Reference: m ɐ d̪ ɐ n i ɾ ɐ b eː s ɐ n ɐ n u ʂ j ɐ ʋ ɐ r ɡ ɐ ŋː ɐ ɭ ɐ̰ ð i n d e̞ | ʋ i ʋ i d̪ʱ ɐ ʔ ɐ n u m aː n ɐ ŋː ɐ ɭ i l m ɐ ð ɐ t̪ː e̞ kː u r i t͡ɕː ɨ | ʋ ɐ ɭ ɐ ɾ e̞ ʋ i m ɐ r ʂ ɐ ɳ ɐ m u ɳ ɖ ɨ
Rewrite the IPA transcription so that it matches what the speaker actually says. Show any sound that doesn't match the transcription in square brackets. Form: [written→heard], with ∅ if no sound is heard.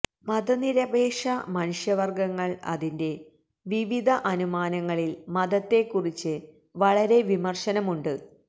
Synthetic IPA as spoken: m ɐ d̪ ɐ n i ɾ ɐ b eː [s→ʂ] ɐ [n→m] ɐ n u ʂ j ɐ ʋ ɐ r ɡ ɐ ŋː ɐ ɭ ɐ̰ ð i n d e̞ | ʋ i ʋ i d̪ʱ ɐ ʔ ɐ n u m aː n ɐ ŋː ɐ ɭ i l m ɐ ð ɐ t̪ː e̞ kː u r i t͡ɕː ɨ | ʋ ɐ ɭ ɐ ɾ e̞ ʋ i m ɐ r ʂ ɐ [ɳ→n] ɐ m u ɳ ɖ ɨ